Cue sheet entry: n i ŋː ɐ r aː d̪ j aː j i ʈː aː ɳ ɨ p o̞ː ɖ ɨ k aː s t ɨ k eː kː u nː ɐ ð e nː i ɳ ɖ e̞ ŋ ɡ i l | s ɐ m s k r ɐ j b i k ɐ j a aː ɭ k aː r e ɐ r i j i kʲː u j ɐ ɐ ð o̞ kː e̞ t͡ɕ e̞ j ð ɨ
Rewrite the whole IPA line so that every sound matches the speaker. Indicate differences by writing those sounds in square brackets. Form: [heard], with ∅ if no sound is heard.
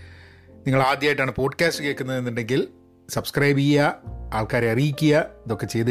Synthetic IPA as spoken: n i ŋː ɐ [ɭ] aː d̪ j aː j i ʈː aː ɳ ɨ p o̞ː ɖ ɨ k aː s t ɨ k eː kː u nː ɐ ð e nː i ɳ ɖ e̞ ŋ ɡ i l | s ɐ [b] s k r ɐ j b i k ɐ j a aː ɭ k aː [ɾ] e ɐ r i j i kʲː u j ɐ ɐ ð o̞ kː e̞ t͡ɕ e̞ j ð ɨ